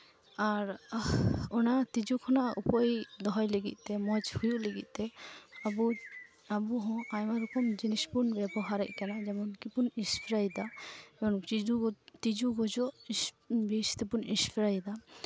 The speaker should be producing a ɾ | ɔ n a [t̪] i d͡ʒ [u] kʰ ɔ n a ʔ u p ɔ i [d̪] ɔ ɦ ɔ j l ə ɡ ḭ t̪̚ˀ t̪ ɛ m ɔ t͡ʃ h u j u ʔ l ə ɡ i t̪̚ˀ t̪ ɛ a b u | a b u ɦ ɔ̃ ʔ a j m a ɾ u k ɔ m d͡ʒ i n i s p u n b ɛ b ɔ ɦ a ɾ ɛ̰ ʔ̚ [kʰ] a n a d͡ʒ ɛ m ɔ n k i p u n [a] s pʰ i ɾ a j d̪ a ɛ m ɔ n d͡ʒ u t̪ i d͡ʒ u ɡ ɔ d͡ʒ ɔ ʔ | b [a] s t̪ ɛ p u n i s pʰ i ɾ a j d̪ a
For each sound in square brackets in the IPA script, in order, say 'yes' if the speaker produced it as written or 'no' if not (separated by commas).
yes, yes, yes, no, no, no